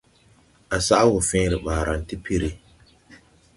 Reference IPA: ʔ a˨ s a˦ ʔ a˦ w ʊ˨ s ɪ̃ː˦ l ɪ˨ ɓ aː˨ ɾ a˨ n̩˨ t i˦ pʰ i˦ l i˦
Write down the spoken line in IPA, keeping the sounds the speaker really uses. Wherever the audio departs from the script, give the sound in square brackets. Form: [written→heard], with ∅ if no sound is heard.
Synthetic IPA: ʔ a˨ s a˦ ʔ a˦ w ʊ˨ [s→f] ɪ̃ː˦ [l→ɾ] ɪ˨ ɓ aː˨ ɾ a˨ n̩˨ t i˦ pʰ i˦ [l→ɾ] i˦